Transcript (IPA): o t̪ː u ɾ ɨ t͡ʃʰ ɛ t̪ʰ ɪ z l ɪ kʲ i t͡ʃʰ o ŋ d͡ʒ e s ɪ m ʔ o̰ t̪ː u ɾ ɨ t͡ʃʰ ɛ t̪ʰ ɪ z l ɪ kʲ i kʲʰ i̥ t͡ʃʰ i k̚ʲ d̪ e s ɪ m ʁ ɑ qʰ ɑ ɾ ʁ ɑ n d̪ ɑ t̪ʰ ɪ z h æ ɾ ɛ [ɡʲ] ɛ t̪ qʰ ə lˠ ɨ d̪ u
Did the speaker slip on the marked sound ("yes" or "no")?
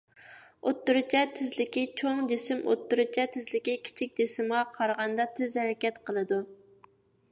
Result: yes